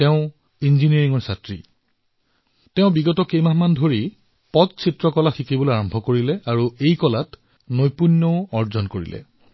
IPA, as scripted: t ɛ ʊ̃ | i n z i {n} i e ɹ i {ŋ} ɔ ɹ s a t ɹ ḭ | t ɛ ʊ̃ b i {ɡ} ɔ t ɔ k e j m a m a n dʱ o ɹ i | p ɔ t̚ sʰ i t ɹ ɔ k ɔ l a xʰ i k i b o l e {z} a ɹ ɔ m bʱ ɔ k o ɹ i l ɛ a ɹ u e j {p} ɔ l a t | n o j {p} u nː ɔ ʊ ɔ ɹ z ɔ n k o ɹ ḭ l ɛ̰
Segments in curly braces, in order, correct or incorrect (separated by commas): correct, correct, correct, incorrect, incorrect, correct